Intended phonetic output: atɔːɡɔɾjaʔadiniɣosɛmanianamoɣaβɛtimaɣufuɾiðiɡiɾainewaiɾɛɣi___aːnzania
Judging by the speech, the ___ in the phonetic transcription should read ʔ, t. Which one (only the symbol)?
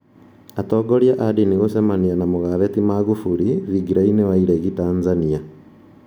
t